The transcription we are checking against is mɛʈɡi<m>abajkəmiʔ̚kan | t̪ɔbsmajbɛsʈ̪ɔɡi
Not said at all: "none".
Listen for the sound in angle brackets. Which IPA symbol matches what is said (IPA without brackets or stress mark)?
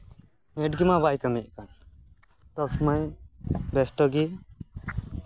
m